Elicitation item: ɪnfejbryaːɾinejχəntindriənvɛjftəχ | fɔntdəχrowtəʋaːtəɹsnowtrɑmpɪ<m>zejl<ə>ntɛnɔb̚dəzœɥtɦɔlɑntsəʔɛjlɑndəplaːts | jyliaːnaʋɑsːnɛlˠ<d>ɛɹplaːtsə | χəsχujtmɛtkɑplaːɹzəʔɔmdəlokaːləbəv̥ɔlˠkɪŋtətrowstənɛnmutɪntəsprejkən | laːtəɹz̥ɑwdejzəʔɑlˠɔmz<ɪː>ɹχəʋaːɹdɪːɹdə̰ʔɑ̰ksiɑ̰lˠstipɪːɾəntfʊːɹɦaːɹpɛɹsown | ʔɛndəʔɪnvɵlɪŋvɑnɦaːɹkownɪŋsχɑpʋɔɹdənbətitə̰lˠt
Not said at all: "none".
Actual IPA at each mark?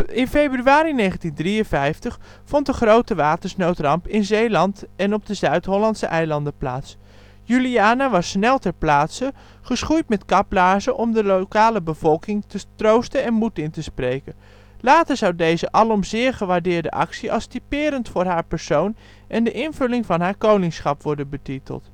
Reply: n, ɑ, t, ɪː

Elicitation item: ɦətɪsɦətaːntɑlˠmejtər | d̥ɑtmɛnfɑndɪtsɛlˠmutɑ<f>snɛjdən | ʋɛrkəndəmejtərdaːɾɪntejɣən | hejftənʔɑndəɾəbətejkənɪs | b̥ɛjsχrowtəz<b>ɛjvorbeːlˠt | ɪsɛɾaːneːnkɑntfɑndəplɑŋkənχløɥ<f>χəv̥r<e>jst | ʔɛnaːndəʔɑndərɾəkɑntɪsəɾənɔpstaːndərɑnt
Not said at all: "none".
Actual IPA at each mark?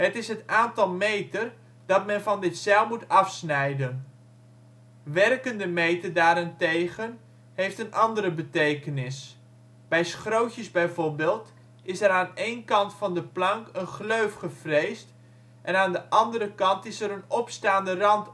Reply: f, b, f, e

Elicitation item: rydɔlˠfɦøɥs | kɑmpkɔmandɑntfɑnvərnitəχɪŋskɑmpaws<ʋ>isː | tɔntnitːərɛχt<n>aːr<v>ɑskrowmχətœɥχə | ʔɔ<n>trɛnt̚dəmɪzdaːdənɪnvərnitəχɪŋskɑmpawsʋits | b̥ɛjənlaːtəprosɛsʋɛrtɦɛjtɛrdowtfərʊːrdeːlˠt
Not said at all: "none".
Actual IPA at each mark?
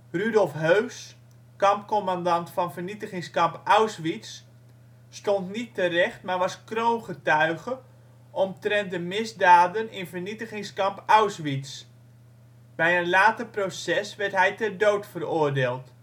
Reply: ʋ, m, ʋ, m

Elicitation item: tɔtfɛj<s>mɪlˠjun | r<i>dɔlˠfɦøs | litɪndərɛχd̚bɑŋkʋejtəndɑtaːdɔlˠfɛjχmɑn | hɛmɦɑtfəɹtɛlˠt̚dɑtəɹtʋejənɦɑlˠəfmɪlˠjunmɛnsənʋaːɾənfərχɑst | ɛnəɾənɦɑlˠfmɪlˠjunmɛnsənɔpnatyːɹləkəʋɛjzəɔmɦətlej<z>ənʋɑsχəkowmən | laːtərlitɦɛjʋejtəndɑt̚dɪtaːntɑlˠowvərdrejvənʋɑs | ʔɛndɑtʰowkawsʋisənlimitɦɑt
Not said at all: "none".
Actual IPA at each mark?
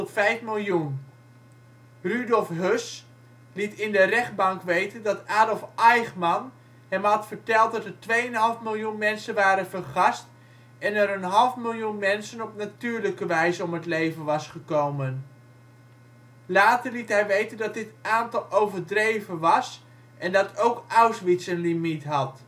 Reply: f, y, v

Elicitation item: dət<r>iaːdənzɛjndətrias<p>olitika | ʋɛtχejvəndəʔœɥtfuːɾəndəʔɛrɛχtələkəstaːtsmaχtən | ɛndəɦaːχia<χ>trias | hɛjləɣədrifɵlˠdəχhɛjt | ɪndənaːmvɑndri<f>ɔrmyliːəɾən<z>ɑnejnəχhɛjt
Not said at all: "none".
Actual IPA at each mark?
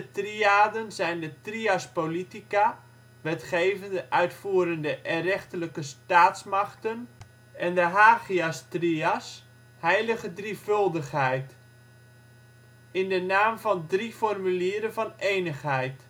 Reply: r, p, s, f, v

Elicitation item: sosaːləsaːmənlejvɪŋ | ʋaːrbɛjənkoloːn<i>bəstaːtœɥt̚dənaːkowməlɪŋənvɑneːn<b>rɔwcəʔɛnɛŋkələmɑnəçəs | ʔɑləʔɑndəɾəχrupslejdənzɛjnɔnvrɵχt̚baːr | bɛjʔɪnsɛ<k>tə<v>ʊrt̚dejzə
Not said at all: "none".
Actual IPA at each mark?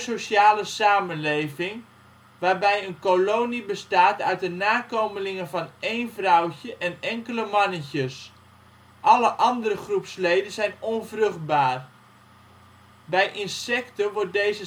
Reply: i, v, k, ʋ

